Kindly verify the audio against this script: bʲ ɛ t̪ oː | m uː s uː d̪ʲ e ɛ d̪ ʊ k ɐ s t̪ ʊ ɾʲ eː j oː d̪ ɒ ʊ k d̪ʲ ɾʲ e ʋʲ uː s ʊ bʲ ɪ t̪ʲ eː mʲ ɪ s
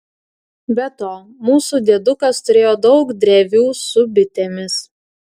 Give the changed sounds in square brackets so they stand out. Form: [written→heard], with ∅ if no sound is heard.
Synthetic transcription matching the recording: bʲ ɛ t̪ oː | m uː s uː d̪ʲ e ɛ d̪ ʊ k ɐ s t̪ ʊ ɾʲ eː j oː d̪ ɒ ʊ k d̪ʲ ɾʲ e ʋʲ uː s ʊ bʲ ɪ t̪ʲ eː mʲ ɪ s